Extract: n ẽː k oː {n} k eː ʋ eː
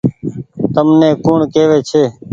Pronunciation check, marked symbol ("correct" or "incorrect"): incorrect